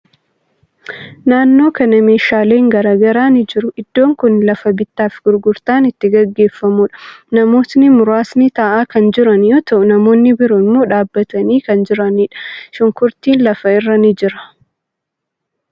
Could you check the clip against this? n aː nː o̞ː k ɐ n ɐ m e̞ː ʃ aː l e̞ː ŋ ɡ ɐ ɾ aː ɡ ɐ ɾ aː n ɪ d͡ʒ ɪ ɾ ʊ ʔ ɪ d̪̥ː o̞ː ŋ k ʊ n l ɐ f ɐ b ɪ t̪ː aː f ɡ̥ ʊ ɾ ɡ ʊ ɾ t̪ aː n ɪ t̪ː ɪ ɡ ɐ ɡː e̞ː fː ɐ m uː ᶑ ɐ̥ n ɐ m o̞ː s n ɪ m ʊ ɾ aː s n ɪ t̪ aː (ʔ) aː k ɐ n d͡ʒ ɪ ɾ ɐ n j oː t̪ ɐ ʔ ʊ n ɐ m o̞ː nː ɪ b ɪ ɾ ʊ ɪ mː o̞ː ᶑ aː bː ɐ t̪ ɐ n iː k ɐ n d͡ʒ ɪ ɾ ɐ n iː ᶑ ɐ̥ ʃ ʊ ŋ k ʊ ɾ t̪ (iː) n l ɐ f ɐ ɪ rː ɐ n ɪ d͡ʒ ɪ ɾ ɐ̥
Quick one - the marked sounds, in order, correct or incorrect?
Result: correct, correct

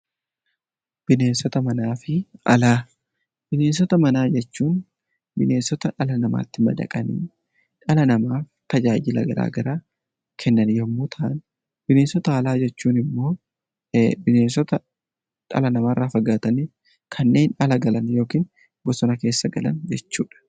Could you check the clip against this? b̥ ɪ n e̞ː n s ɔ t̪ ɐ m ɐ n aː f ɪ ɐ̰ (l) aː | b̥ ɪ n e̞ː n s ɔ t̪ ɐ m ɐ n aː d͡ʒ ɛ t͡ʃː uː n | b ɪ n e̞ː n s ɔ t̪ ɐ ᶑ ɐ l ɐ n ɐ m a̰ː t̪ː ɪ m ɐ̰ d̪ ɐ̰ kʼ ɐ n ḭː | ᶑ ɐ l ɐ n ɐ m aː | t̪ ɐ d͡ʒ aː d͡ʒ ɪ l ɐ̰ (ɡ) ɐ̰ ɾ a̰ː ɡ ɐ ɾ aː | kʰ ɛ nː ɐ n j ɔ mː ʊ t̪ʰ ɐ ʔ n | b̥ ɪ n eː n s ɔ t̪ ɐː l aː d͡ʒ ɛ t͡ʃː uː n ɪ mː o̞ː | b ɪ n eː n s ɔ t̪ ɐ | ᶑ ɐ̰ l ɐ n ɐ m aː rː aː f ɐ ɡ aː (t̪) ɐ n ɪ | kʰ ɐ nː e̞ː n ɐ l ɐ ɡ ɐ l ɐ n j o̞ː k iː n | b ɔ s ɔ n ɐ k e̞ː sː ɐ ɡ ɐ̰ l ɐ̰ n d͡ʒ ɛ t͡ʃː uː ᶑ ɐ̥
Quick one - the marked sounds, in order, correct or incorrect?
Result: correct, correct, correct

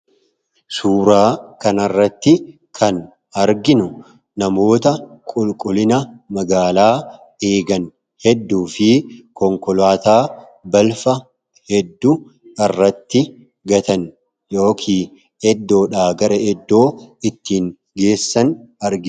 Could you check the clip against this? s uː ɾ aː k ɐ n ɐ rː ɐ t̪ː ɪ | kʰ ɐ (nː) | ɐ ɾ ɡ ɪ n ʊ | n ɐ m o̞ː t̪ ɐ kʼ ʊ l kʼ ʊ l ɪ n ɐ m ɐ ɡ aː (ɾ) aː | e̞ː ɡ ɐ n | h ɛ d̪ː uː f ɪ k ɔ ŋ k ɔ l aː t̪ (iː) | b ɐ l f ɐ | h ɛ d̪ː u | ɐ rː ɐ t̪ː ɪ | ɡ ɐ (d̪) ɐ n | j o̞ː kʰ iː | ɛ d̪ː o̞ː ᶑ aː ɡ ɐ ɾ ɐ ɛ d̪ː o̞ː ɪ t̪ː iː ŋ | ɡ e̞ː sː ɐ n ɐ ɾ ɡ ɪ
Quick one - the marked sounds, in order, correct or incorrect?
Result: incorrect, incorrect, incorrect, incorrect

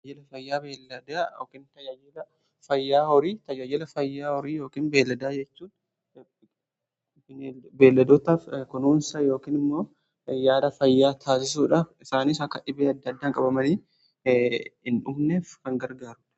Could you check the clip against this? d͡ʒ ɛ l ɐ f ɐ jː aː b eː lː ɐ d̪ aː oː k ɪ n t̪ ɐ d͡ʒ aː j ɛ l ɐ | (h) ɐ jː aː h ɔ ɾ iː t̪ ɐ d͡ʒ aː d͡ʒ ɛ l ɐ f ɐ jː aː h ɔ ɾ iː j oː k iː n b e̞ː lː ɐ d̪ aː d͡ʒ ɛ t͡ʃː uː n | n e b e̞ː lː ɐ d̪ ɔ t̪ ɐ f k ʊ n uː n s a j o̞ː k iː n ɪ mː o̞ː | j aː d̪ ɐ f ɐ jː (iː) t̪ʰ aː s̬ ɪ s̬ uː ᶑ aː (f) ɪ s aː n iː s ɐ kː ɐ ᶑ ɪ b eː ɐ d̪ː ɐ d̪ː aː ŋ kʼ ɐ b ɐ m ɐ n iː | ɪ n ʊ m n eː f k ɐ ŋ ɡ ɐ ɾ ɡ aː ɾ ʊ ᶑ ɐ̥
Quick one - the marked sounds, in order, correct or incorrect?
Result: incorrect, incorrect, correct

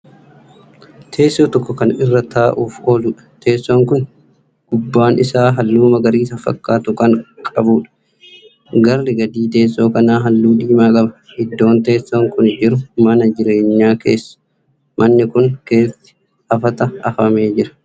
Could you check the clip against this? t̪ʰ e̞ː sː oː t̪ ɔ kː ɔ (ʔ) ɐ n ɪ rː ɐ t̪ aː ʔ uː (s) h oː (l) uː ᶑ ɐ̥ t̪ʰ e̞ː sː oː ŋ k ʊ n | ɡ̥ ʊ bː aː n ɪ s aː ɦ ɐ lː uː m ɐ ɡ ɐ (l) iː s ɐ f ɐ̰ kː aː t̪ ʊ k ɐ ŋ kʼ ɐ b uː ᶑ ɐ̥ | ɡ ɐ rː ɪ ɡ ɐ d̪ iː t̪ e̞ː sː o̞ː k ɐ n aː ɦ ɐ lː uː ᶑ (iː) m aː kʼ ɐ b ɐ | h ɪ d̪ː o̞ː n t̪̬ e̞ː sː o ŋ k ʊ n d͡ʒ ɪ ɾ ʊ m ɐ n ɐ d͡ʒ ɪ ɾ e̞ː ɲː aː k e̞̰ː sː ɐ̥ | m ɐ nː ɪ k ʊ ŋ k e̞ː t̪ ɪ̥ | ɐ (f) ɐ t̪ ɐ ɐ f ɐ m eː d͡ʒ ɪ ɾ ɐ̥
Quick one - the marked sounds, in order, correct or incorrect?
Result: incorrect, incorrect, correct, incorrect, correct, correct

